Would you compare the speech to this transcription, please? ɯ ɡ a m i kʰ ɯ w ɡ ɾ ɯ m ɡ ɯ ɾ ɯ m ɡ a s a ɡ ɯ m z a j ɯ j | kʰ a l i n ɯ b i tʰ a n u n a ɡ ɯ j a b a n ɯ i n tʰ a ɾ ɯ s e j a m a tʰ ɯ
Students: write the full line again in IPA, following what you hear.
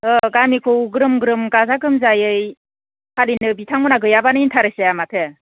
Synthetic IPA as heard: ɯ ɡ a m i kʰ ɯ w ɡ ɾ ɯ m ɡ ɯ ɾ ɯ m ɡ a z a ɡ ɯ m z a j ɯ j | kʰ a l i n ɯ b i tʰ a ŋ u n a ɡ ɯ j a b a n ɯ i n tʰ a ɾ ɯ s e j a m a tʰ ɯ